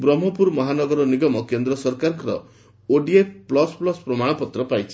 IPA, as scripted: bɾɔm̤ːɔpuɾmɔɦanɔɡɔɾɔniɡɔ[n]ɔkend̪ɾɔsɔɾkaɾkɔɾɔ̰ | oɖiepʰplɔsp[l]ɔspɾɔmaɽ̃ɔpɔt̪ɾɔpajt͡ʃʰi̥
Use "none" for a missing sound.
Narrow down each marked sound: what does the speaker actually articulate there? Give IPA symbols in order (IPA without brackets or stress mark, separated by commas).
m, l